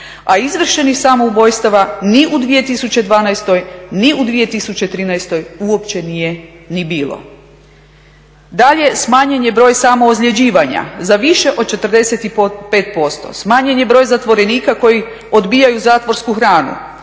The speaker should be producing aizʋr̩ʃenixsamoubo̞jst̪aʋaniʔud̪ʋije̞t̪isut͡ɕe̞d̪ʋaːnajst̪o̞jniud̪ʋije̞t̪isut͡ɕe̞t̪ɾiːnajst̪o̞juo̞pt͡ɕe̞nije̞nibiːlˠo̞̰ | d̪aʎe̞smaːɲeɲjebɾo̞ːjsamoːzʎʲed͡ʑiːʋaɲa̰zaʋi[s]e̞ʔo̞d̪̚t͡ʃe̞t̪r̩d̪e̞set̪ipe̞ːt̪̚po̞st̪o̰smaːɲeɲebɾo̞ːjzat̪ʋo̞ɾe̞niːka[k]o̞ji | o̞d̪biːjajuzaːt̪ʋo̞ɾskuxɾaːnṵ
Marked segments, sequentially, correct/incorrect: incorrect: ʃ, correct

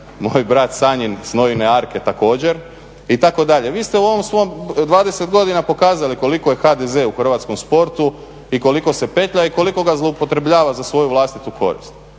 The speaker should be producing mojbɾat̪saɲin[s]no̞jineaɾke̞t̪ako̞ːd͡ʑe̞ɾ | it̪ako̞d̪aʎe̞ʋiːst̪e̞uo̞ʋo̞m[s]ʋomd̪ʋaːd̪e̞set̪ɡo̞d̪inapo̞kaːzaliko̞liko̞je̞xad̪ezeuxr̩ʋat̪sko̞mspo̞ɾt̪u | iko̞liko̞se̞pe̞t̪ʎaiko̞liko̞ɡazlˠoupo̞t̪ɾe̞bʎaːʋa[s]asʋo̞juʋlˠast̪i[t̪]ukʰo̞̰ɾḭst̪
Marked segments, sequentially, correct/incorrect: correct, correct, incorrect: z, correct

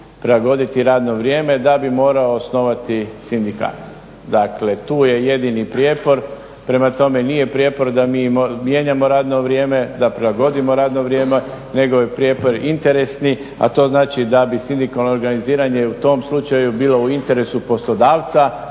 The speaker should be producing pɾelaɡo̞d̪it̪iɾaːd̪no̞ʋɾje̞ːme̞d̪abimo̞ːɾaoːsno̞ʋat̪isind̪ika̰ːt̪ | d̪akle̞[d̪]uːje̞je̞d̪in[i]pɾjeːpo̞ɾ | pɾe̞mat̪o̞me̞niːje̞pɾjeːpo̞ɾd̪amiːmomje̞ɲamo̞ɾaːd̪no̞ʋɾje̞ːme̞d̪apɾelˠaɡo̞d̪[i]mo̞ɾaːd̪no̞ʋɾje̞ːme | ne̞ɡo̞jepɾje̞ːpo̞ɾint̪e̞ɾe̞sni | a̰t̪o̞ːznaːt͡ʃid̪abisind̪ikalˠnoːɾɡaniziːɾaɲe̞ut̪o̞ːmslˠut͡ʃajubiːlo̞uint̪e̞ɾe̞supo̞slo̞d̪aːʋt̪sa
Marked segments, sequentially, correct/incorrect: incorrect: t̪, correct, correct

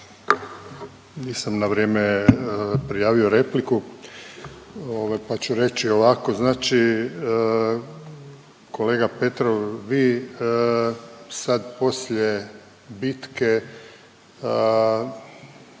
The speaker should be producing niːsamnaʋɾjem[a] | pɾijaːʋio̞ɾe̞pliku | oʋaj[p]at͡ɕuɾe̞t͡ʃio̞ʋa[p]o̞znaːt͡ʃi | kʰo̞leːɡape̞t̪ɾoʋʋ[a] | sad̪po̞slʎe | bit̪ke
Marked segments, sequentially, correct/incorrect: incorrect: e, correct, incorrect: k, incorrect: i

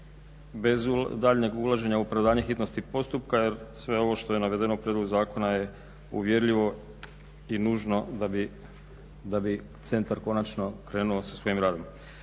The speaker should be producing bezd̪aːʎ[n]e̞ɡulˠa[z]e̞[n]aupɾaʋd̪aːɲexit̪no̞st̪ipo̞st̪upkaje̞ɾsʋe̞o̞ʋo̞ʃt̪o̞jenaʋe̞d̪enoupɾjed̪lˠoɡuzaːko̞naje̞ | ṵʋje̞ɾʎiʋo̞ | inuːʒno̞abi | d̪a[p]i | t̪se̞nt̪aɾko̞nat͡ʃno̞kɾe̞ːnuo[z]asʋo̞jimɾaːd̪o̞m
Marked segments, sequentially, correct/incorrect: incorrect: ɲ, incorrect: ʒ, incorrect: ɲ, incorrect: b, incorrect: s

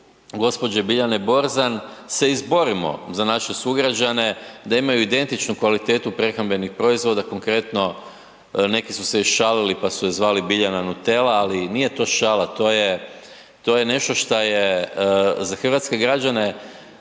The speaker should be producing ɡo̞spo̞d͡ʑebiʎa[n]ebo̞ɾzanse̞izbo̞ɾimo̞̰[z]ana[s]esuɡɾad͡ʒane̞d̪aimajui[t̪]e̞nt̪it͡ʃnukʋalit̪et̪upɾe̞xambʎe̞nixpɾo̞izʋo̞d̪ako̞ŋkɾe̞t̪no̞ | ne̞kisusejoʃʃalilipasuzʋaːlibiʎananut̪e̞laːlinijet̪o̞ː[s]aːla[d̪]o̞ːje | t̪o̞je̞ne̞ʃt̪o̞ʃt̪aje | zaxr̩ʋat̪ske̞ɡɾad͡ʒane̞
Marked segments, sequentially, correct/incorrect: correct, correct, incorrect: ʃ, incorrect: d̪, incorrect: ʃ, incorrect: t̪

